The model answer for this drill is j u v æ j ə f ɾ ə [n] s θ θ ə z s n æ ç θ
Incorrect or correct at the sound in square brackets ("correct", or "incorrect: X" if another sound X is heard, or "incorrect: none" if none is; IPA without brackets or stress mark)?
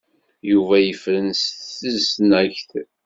correct